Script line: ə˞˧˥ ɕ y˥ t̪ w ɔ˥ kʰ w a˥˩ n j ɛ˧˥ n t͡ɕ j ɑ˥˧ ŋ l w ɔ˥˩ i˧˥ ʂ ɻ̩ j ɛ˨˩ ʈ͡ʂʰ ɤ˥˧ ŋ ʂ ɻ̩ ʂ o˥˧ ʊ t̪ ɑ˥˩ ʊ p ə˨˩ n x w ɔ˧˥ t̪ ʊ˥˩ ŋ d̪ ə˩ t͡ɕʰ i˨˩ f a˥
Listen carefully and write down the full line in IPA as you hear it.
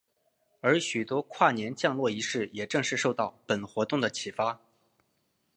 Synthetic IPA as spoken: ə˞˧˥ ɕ y˨˩ t̪ w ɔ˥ kʰ w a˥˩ n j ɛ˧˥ n t͡ɕ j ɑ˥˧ ŋ l w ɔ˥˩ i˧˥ ʂ ɻ̩ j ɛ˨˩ ʈ͡ʂ ɤ˥˧ ŋ ʂ ɻ̩ ʂ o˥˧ ʊ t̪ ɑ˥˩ ʊ p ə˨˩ n x w ɔ˧˥ t̪ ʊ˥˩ ŋ d̪ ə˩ t͡ɕʰ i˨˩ f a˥